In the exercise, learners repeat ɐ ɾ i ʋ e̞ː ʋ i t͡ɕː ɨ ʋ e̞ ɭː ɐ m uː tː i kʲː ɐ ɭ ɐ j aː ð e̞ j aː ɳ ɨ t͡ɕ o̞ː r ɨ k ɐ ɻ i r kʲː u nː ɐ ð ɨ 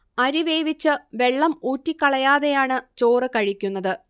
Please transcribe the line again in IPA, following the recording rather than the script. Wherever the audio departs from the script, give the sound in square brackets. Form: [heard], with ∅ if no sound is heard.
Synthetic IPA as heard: ɐ ɾ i ʋ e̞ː ʋ i t͡ɕː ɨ ʋ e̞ ɭː ɐ m uː tː i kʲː ɐ ɭ ɐ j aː ð e̞ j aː ɳ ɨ t͡ɕ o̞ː r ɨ k ɐ ɻ i [∅] kʲː u nː ɐ ð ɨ

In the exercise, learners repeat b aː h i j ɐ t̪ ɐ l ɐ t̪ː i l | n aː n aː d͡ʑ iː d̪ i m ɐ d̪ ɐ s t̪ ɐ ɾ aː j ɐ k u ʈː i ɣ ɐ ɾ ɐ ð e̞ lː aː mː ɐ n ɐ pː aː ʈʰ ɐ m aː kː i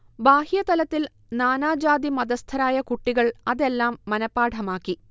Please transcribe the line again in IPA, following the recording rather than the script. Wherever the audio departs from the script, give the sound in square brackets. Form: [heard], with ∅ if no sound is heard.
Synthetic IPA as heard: b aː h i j ɐ t̪ ɐ l ɐ t̪ː i l | n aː n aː d͡ʑ [aː] d̪ i m ɐ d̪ ɐ s [t̪ʰ] ɐ ɾ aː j ɐ k u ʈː i ɣ ɐ [ɭ] ɐ ð e̞ lː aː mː ɐ n ɐ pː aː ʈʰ ɐ m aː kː i

